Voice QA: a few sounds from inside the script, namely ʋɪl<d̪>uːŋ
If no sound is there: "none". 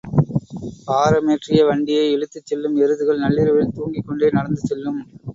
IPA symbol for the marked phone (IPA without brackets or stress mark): t̪